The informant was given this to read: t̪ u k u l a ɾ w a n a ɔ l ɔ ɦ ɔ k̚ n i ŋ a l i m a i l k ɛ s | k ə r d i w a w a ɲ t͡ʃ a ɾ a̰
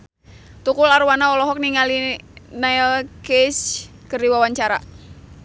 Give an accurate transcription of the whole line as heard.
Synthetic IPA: t̪ u k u l a ɾ w a n a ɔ l ɔ ɦ ɔ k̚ n i ŋ a l i n a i l k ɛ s | k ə r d i w a w a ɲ t͡ʃ a ɾ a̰

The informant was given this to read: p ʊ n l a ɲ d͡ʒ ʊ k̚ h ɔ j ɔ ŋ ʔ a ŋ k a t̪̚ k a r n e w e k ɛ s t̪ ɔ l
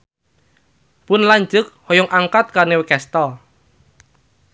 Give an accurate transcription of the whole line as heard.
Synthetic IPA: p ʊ n l a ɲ d͡ʒ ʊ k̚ h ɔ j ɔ ŋ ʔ a ŋ k a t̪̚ k a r n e w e k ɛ s t̪ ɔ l

